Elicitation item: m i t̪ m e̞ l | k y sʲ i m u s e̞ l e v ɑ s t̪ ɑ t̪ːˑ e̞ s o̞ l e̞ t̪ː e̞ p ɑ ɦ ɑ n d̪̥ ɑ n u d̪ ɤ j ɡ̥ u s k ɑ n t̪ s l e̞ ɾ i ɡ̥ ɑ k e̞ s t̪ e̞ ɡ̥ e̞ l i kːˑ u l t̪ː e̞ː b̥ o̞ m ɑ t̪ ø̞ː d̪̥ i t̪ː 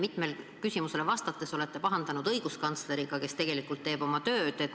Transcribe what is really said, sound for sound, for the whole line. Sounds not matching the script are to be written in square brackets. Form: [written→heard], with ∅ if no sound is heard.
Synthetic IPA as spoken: m i t̪ m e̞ l | k y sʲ i m u s e̞ l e v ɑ s t̪ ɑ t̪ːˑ e̞ s o̞ l e̞ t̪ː e̞ p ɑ ɦ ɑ n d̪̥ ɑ n u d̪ ɤ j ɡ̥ u s k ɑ n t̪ s l e̞ ɾ i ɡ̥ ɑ k e̞ s t̪ e̞ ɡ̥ e̞ l i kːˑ u l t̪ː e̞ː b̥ o̞ m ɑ t̪ ø̞ː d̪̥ [i→e] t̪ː